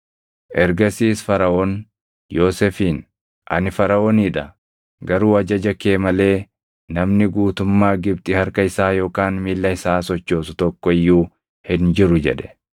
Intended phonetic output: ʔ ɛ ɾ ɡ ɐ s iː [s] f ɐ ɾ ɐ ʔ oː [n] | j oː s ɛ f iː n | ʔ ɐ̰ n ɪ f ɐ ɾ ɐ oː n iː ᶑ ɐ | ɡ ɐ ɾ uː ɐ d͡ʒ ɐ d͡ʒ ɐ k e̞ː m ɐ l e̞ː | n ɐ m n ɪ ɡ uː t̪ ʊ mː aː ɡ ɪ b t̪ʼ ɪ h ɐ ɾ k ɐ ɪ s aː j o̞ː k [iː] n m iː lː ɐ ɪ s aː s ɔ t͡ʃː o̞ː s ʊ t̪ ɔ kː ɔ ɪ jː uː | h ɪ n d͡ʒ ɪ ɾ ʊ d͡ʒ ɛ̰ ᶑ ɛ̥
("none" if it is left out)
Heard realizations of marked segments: s, n, aː

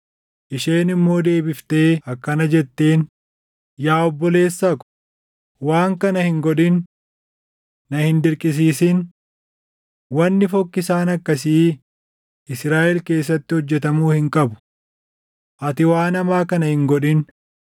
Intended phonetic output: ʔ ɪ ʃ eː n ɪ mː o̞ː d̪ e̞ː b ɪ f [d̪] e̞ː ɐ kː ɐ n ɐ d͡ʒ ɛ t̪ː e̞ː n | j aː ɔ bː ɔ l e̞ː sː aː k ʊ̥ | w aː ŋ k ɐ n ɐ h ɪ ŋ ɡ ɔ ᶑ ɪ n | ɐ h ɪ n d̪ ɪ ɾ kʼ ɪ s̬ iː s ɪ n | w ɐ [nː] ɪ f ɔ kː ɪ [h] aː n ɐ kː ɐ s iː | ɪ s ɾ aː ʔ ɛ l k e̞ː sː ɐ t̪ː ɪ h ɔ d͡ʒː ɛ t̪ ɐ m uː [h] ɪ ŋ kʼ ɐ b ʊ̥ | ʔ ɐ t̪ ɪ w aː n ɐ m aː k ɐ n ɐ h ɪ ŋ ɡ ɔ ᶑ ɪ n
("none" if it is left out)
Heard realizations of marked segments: t̪, nː, s, h

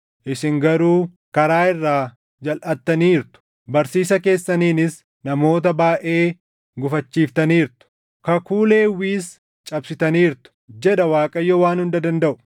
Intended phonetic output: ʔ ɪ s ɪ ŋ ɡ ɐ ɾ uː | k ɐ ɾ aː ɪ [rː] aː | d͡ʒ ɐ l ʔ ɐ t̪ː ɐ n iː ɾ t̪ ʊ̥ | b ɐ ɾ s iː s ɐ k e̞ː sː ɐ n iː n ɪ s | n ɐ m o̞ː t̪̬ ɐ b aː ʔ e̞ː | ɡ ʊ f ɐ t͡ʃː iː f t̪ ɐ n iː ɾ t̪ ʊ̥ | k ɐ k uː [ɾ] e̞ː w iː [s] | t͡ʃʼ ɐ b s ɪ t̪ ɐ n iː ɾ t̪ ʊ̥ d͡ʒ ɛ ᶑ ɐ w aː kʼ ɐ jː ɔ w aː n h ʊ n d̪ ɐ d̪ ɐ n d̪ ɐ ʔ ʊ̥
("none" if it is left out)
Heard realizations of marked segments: rː, l, s

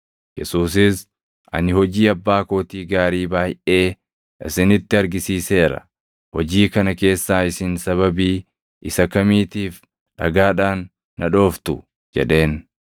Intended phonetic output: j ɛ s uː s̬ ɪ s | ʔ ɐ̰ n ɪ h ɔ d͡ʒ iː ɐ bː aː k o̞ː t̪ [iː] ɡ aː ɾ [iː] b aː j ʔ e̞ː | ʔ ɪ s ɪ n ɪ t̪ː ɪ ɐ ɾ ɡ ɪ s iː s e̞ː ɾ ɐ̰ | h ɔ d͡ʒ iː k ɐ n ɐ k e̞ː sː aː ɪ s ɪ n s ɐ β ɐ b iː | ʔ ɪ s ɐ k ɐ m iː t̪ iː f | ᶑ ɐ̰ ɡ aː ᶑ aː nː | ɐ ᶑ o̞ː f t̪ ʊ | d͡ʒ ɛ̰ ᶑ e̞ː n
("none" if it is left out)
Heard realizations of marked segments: iː, iː

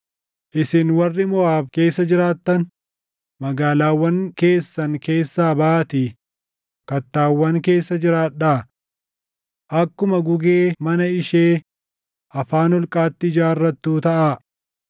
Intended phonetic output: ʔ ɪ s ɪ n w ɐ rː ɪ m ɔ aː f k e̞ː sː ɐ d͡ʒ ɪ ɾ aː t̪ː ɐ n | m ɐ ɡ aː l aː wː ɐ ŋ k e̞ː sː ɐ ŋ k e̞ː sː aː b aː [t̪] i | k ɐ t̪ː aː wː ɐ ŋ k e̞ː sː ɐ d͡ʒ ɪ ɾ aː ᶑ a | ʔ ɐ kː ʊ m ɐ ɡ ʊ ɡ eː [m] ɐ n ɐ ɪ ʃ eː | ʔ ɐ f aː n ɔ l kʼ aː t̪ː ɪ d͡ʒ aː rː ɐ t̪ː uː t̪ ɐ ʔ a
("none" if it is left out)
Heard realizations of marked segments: t̪, m

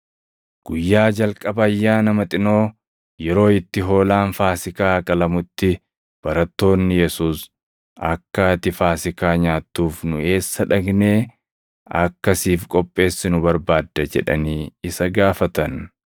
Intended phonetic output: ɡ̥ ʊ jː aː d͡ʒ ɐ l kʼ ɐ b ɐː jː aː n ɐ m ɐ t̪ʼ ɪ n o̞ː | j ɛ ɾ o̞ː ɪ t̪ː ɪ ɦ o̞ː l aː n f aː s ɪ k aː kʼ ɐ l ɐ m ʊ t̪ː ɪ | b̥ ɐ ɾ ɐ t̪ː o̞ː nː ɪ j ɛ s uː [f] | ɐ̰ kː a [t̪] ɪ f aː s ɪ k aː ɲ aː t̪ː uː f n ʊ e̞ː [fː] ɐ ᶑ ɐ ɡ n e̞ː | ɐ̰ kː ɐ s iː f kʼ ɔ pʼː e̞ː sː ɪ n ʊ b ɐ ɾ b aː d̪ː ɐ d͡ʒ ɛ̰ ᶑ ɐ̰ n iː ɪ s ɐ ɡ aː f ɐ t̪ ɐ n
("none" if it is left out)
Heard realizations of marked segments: s, t̪, sː

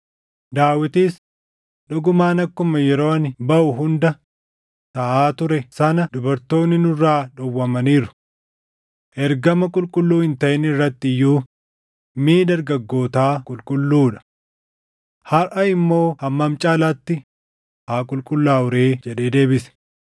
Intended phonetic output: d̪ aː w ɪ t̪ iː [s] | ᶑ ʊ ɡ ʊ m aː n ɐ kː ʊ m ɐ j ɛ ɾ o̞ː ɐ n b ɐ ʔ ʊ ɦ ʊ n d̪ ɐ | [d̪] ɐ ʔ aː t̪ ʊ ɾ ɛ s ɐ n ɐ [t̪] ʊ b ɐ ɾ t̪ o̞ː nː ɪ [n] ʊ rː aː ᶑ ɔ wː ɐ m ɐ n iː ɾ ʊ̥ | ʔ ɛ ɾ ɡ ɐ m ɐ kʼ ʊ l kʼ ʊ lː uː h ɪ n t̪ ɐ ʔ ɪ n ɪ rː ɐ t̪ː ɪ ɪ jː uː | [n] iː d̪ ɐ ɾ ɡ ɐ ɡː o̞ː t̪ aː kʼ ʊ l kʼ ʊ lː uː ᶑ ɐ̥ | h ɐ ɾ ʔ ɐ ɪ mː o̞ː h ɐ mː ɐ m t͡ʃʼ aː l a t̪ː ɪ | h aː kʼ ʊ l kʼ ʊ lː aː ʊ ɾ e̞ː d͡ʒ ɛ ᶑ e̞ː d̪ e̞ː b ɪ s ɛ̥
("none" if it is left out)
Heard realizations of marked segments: s, t̪, d̪, n, m

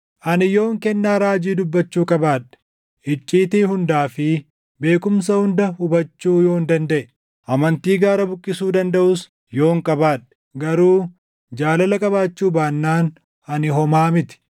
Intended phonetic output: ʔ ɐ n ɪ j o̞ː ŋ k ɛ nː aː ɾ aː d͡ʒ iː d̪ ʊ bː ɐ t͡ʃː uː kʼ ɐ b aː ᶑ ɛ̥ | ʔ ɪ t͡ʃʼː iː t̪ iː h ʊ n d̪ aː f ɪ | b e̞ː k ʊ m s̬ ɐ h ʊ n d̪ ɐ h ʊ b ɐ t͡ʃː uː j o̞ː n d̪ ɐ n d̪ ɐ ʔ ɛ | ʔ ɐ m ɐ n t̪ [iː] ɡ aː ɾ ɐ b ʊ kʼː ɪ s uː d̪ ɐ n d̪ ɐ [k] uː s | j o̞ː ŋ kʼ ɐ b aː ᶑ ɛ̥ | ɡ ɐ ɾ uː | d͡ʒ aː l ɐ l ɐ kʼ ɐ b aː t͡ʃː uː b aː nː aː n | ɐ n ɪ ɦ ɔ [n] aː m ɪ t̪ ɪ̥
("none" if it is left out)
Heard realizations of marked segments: iː, ʔ, m

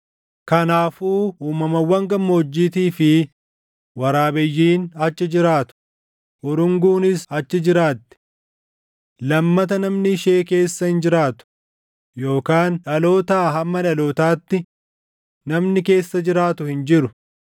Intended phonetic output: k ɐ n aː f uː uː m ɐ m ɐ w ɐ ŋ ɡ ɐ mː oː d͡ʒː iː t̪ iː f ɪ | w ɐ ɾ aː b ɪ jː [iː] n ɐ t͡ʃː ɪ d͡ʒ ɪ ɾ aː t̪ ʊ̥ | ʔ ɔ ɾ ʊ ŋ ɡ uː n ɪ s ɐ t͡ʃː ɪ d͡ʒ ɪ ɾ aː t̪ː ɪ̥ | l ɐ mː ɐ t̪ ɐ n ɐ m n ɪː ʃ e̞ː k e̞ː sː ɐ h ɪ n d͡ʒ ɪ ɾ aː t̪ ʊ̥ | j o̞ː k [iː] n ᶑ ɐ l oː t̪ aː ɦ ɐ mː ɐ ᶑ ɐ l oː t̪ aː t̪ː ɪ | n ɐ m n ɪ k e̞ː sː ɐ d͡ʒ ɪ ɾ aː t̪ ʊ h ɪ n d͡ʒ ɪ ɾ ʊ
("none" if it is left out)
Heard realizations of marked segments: iː, aː

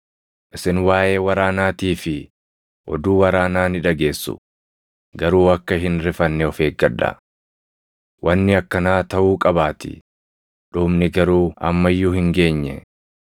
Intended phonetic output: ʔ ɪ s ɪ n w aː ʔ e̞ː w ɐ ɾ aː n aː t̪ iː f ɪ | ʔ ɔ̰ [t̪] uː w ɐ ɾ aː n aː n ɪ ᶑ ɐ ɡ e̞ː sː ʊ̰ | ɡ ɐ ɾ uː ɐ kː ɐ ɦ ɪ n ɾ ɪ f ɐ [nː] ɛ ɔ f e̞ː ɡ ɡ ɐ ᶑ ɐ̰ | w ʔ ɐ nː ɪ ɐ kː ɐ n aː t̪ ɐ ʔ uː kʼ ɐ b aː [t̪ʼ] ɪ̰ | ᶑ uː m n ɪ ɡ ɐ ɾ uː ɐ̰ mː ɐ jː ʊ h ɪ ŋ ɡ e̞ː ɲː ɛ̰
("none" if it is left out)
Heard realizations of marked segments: d̪, nː, t̪

